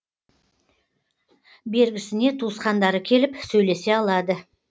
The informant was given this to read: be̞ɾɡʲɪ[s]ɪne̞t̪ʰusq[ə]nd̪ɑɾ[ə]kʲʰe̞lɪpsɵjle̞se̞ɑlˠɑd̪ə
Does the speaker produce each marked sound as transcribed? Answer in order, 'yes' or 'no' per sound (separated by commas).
yes, no, yes